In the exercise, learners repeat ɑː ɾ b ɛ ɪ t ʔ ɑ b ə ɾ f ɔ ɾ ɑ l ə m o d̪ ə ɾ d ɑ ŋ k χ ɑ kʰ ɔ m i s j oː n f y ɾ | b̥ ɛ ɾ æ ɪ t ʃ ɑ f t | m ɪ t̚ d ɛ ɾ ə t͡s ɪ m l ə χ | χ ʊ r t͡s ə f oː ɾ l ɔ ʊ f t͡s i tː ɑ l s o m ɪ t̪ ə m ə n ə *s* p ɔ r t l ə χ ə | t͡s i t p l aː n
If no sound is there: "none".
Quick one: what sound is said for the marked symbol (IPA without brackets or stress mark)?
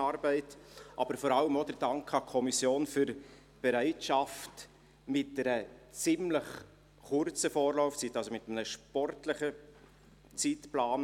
ʃ